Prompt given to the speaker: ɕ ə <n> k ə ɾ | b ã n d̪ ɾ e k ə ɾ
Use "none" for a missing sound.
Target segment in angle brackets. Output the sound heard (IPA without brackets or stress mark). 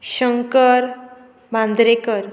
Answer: ŋ